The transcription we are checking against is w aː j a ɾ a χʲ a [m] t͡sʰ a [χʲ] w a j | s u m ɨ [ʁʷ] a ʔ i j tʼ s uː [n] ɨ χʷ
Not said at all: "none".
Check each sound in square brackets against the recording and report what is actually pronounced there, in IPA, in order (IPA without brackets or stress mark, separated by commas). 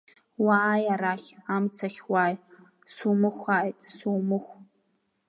m, χʲ, χʷ, m